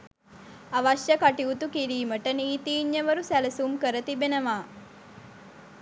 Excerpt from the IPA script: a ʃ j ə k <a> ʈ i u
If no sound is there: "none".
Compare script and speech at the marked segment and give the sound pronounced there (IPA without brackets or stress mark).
a